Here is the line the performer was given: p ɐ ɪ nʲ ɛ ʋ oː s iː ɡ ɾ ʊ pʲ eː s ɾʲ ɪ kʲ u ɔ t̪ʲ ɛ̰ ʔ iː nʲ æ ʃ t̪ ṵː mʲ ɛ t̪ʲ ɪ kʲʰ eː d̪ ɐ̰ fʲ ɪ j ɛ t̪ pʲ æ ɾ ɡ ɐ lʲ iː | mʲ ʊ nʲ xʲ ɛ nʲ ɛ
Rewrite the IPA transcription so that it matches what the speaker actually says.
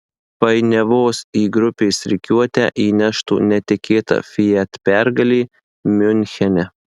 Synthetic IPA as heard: p ɐ ɪ nʲ ɛ ʋ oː s iː ɡ ɾ ʊ pʲ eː s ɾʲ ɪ kʲ u ɔ t̪ʲ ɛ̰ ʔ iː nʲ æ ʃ t̪ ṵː nʲ ɛ t̪ʲ ɪ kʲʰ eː t̪ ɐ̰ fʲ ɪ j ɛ t̪ pʲ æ ɾ ɡ ɐ lʲ iː | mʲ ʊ nʲ xʲ ɛ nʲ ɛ

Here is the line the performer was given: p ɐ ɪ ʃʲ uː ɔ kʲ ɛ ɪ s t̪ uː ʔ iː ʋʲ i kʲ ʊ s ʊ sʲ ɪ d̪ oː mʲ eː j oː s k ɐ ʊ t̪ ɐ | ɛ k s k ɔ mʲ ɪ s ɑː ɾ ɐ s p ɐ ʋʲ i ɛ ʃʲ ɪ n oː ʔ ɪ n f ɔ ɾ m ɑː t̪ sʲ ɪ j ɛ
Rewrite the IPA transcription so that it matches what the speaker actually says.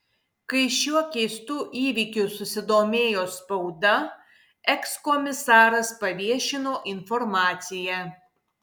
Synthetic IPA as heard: k ɐ ɪ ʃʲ u ɔ kʲ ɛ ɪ s t̪ uː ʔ iː ʋʲ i kʲ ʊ s ʊ sʲ ɪ d̪ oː mʲ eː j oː s p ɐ ʊ d̪ ɐ | ɛ k s k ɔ mʲ ɪ s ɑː ɾ ɐ s p ɐ ʋʲ i ɛ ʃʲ ɪ n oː ʔ ɪ n f ɔ ɾ m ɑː t̪ sʲ ɪ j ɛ

